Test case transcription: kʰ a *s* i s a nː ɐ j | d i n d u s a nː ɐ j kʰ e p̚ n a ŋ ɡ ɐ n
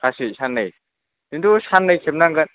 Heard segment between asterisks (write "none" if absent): s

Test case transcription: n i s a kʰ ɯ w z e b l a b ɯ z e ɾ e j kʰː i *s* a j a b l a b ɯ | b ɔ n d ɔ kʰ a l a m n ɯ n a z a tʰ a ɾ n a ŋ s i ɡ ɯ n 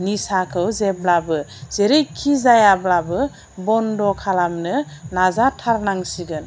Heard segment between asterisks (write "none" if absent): z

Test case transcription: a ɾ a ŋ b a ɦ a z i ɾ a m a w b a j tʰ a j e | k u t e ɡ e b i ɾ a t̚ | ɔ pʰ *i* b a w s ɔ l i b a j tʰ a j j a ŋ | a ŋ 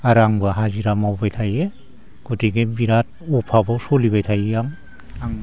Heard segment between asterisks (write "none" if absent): a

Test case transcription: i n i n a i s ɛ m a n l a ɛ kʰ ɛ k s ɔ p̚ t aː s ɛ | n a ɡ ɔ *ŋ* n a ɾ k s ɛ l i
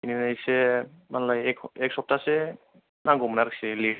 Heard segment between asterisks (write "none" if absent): m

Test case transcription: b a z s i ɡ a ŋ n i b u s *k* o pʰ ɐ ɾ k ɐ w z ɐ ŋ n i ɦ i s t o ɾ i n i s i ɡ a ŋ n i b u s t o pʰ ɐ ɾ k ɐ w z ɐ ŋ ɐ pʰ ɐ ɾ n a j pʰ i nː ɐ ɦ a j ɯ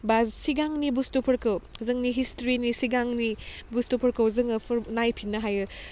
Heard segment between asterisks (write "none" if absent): t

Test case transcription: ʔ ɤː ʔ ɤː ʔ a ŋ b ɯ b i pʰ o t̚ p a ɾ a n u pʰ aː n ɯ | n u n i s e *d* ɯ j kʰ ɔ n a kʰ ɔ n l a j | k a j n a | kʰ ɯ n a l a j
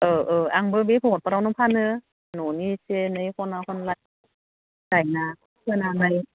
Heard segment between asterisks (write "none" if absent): n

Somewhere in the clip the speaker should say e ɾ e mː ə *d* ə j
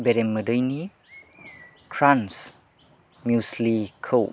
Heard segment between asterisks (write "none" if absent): d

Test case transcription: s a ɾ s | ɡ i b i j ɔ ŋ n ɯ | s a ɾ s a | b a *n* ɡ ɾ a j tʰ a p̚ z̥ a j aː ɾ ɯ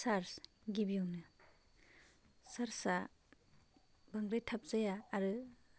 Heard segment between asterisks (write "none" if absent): ŋ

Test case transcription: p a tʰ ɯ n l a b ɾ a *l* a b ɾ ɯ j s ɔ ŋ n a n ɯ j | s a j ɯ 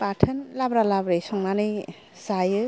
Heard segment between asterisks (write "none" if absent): l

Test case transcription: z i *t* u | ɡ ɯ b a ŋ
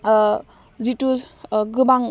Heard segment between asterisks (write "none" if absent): t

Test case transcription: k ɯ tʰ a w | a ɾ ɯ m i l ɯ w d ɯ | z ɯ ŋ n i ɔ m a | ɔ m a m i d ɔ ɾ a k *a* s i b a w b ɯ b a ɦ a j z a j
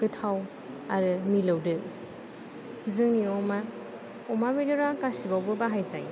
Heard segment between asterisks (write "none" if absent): a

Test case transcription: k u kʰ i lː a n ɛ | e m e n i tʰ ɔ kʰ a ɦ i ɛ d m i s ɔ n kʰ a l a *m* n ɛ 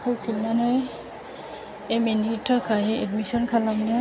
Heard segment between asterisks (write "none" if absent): m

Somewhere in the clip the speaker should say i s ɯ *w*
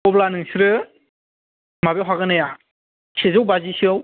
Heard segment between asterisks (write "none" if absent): w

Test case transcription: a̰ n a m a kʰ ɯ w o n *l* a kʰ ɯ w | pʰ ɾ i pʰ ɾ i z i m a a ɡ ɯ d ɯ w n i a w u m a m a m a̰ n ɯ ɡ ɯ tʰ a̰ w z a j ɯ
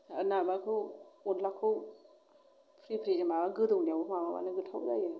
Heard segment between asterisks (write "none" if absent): l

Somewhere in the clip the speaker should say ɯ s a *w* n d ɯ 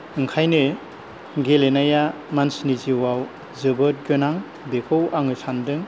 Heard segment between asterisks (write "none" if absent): none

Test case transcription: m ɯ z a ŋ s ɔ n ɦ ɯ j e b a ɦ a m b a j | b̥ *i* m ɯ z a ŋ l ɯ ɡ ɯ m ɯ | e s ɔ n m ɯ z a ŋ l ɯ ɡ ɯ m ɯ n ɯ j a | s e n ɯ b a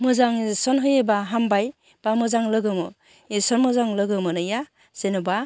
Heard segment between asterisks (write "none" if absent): a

